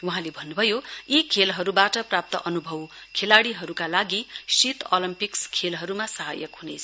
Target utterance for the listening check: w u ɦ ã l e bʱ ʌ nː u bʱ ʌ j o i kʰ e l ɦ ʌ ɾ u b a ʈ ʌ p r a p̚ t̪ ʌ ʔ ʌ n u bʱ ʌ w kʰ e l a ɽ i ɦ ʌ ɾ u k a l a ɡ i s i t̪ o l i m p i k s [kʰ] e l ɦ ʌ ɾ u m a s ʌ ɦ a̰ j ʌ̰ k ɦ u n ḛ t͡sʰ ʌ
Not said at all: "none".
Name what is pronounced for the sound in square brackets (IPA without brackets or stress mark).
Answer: kʰ